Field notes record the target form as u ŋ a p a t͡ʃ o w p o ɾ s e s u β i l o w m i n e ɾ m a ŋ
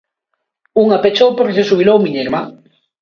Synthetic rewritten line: u ŋ a p e t͡ʃ o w p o ɾ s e s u β i l o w m i ɲ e ɾ m a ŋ